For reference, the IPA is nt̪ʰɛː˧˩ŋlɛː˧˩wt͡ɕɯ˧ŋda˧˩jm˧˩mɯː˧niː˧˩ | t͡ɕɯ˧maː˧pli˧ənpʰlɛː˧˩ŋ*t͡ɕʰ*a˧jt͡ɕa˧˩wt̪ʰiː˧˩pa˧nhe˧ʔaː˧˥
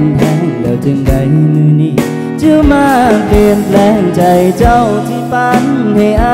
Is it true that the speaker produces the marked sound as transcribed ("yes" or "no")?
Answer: no